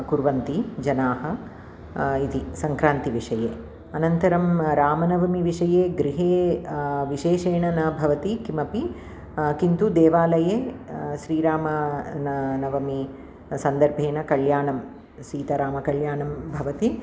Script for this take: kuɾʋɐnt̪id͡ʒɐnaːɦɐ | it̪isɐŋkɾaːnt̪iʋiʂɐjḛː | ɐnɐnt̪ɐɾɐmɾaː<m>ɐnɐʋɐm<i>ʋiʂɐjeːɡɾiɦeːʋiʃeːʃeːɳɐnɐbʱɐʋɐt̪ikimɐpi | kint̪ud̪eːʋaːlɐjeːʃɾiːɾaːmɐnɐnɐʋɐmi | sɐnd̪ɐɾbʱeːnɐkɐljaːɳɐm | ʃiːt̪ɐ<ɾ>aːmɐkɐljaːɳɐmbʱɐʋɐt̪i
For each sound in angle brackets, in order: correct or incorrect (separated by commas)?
correct, correct, correct